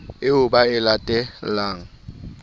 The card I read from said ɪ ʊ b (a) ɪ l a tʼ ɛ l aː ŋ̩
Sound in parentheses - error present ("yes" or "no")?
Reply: no